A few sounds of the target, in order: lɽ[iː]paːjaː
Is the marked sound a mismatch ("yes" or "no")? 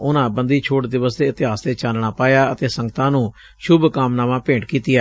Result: yes